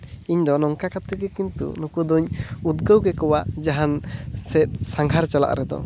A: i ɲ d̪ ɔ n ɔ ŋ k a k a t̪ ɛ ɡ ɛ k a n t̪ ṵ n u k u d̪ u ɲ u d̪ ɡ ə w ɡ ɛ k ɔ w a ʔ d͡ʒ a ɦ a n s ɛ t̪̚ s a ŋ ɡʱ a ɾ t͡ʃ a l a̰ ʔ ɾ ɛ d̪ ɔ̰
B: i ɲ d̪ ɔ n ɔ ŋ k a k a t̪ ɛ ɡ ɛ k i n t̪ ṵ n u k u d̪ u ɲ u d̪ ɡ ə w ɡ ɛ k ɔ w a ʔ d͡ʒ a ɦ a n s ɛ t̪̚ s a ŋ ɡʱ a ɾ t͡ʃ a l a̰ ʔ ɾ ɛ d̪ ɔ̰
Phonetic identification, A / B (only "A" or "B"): B